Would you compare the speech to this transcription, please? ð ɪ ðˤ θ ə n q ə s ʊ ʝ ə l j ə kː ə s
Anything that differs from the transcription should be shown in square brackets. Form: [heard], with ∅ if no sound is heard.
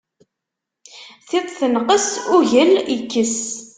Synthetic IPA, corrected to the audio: [θ] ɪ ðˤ θ ə n q ə s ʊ ʝ ə l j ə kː ə s